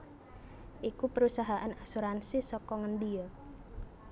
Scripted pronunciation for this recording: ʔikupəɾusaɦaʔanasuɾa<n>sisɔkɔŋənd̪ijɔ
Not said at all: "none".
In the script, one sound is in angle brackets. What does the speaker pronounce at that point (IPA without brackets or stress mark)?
n